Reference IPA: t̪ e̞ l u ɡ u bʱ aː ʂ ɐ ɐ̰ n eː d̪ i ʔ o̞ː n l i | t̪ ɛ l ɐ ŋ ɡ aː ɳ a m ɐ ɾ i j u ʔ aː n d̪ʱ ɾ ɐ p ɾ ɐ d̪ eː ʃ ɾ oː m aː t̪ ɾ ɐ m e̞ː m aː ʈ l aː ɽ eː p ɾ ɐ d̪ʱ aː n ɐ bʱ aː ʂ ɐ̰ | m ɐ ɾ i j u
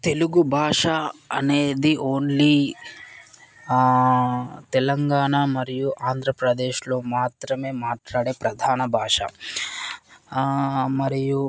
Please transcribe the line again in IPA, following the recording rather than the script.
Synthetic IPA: t̪ e̞ l u ɡ u bʱ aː ʂ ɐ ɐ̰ n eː d̪ i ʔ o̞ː n l i | t̪ ɛ l ɐ ŋ ɡ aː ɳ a m ɐ ɾ i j u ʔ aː n d̪ʱ ɾ ɐ p ɾ ɐ d̪ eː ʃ l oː m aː t̪ ɾ ɐ m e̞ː m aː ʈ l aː ɽ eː p ɾ ɐ d̪ʱ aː n ɐ bʱ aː ʂ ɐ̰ | m ɐ ɾ i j u